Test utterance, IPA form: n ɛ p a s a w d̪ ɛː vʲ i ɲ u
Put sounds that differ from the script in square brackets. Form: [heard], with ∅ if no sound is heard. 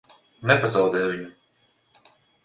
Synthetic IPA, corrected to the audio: n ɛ p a [z] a w d̪ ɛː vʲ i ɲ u